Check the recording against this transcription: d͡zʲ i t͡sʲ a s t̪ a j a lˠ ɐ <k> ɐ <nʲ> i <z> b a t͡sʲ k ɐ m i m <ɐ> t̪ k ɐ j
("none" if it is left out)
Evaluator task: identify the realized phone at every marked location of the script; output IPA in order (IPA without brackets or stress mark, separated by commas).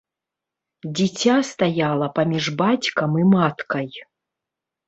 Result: p, mʲ, ʐ, a